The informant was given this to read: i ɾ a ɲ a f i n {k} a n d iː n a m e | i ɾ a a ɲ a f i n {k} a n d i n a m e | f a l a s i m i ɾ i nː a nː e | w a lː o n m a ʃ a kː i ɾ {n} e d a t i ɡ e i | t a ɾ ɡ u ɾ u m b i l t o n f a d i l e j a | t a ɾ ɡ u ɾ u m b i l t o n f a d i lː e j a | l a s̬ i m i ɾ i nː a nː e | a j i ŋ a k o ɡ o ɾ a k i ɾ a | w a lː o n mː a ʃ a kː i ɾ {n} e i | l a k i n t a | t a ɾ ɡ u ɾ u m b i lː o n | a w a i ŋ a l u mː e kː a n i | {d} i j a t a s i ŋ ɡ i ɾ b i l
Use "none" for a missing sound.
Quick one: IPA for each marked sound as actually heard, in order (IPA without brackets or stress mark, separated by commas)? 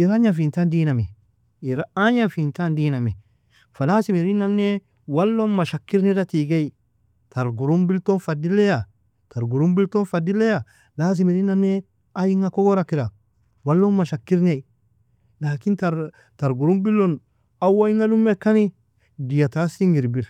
t, t, n, n, d